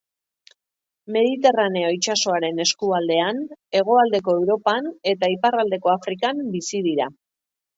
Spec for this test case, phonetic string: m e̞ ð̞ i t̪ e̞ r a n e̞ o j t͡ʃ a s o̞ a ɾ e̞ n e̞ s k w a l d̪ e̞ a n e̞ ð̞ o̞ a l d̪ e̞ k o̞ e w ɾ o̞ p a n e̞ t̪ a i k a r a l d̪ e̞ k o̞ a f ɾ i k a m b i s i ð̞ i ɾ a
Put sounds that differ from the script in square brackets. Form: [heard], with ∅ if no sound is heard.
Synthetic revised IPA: m e̞ ð̞ i t̪ e̞ r a n e̞ o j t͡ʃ a s o̞ a ɾ e̞ n e̞ s k [u] a l d̪ e̞ a n e̞ [ɣ̞] o̞ a l d̪ e̞ k o̞ e w ɾ o̞ p a n e̞ t̪ a i [p] a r a l d̪ e̞ k o̞ a f ɾ i k a m b i s i ð̞ i ɾ a